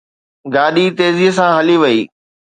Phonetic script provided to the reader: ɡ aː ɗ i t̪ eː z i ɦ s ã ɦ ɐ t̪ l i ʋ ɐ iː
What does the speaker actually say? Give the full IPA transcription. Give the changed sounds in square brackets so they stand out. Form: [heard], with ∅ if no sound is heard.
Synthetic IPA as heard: ɡ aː ɗ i t̪ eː z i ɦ s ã ɦ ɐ [∅] l i ʋ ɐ iː